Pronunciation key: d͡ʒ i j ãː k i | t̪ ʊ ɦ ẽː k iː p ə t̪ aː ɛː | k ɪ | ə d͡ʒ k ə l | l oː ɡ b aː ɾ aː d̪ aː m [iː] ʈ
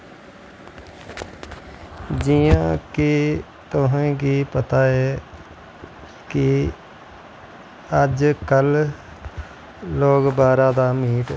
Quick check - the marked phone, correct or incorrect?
correct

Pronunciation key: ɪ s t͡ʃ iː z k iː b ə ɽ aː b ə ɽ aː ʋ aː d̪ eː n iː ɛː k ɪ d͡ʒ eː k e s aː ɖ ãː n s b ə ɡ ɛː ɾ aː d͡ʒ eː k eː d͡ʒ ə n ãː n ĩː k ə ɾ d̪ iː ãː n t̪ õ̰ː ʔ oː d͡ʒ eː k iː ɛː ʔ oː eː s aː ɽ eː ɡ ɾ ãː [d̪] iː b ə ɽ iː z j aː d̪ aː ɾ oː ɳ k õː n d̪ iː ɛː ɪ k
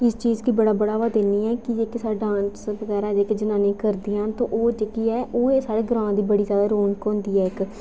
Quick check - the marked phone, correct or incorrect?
correct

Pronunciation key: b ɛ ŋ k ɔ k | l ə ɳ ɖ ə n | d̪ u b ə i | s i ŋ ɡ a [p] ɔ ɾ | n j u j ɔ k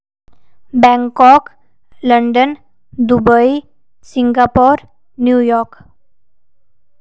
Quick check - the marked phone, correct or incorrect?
correct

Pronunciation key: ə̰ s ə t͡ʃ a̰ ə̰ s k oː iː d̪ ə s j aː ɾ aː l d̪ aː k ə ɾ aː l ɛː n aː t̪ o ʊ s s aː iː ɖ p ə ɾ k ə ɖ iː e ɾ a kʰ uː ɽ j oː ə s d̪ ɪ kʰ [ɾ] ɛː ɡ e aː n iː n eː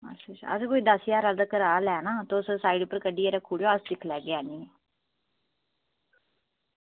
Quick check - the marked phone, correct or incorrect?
incorrect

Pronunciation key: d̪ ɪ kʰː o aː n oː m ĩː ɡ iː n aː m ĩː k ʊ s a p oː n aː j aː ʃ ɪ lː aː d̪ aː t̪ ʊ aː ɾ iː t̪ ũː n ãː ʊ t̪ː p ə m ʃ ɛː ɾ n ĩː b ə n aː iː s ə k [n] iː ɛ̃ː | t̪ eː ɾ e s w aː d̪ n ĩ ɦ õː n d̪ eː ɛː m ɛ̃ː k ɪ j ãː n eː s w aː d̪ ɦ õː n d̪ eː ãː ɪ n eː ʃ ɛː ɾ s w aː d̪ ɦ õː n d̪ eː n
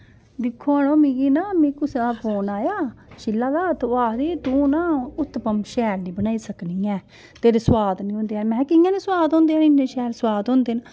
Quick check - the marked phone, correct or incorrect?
correct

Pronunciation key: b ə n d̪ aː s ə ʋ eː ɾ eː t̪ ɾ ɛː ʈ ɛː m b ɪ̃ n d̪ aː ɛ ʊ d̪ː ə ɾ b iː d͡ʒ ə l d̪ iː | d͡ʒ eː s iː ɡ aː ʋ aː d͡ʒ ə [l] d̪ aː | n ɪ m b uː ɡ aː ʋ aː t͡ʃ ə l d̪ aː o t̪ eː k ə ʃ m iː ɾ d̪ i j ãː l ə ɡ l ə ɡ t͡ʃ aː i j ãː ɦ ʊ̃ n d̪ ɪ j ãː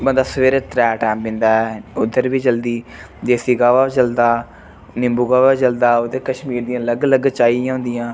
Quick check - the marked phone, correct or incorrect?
correct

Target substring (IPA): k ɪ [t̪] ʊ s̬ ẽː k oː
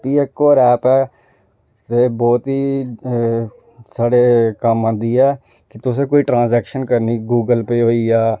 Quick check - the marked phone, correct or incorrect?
correct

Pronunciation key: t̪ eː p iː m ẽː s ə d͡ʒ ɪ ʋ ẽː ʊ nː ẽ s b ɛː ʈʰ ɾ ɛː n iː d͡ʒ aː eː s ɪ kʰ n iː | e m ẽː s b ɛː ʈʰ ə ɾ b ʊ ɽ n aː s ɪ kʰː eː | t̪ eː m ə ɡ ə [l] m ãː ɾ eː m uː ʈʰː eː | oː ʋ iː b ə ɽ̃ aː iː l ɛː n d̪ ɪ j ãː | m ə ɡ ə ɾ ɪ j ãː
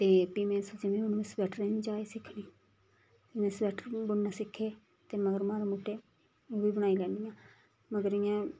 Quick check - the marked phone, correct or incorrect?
incorrect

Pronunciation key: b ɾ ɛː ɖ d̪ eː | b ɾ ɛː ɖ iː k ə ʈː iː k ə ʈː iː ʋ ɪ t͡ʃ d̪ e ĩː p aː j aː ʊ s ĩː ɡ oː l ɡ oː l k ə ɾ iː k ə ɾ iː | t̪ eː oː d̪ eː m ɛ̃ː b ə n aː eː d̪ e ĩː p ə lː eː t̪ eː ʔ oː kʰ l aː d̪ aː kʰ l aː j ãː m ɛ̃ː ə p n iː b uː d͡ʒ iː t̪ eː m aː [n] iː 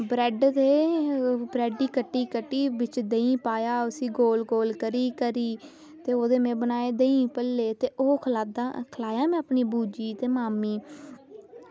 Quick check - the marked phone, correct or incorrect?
incorrect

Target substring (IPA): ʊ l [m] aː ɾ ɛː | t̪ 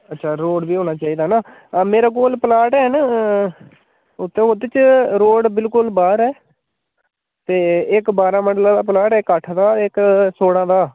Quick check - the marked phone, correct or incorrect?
incorrect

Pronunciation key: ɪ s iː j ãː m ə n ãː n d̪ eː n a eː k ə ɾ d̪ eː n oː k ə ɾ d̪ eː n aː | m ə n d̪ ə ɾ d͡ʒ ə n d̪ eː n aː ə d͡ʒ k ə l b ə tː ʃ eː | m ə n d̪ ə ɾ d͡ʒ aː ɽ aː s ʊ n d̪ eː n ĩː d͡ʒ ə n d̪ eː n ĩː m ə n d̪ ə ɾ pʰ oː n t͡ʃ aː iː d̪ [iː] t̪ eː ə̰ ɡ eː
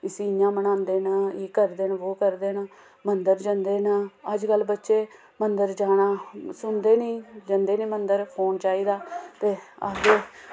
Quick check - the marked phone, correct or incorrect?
incorrect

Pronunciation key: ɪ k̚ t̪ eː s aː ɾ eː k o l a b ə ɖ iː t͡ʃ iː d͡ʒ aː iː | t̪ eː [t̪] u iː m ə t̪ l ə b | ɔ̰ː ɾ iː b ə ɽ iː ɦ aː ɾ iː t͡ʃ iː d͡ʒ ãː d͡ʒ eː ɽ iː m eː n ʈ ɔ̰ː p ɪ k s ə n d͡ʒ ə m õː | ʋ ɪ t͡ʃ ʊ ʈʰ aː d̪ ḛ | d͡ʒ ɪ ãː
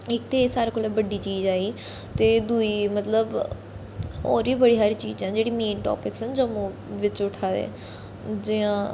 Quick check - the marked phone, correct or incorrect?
incorrect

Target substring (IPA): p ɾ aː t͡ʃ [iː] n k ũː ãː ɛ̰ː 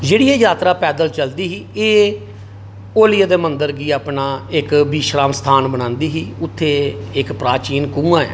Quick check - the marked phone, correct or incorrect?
correct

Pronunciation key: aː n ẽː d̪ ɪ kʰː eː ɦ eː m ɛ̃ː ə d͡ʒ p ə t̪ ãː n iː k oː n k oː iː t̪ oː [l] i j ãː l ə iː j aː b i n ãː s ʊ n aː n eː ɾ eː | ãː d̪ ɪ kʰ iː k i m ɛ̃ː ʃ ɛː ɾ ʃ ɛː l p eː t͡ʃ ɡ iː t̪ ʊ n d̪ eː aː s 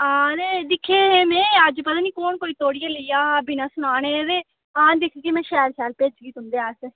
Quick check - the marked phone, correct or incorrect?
incorrect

